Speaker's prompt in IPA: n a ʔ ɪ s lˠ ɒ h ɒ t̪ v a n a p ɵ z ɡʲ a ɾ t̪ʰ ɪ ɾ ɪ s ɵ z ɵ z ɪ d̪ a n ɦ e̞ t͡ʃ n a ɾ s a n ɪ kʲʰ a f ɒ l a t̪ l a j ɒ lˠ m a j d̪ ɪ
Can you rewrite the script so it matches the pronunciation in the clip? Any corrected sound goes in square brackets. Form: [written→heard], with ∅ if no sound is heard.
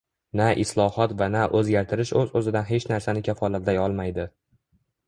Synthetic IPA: n a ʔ ɪ s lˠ ɒ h ɒ t̪ v a n a [p→ʔ] ɵ z ɡʲ a ɾ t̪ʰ ɪ ɾ ɪ [s→ʃ] ɵ z ɵ z ɪ d̪ a n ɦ e̞ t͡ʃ n a ɾ s a n ɪ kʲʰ a f ɒ l a t̪ l a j ɒ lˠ m a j d̪ ɪ